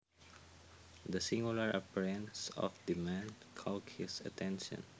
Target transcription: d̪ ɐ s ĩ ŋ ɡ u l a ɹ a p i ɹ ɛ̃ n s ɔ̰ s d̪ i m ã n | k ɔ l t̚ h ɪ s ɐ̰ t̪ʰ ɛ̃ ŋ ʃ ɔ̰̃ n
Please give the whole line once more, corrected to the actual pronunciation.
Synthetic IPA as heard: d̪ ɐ s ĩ ŋ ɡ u l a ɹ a p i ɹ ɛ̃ n s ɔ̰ f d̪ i m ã n | kʰ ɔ l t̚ h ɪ s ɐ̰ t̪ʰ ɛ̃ n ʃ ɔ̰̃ n